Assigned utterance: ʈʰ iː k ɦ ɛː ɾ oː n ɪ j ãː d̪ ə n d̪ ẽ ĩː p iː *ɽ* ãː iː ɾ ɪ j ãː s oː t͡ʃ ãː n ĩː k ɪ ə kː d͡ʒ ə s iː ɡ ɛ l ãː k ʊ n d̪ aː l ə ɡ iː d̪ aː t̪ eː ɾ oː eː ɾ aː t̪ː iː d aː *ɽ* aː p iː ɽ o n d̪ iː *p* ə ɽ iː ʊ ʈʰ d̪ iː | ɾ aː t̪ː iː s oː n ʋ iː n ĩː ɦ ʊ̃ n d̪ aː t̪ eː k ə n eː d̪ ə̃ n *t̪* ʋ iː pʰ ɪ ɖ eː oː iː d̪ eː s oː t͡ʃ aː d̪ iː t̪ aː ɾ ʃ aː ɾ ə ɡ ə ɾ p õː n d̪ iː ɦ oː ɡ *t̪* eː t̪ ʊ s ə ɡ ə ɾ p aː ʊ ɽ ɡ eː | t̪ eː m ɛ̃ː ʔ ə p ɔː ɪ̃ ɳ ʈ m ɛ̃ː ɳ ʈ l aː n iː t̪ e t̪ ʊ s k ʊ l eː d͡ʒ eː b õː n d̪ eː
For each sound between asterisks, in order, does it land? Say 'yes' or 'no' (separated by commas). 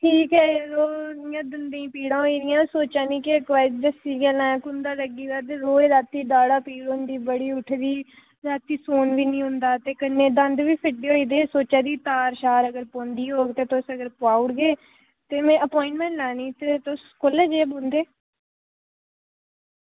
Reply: yes, yes, no, no, yes